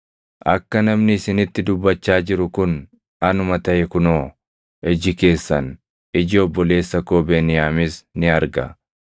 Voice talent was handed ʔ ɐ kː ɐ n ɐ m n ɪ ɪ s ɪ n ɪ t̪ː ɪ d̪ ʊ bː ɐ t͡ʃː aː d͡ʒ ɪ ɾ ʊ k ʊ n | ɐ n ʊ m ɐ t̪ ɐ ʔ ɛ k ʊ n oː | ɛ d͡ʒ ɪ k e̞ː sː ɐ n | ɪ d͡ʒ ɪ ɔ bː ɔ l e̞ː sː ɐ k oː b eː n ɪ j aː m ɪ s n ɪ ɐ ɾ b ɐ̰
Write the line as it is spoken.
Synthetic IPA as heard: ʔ ɐ kː ɐ n ɐ m n ɪ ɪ s ɪ n ɪ t̪ː ɪ d̪ ʊ bː ɐ t͡ʃː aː d͡ʒ ɪ ɾ ʊ k ʊ n | ɐ n ʊ m ɐ t̪ ɐ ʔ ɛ k ʊ n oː | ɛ d͡ʒ ɪ k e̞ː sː ɐ n | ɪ d͡ʒ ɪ ɔ bː ɔ l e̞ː sː ɐ k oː b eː n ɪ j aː m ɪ s n ɪ ɐ ɾ ɡ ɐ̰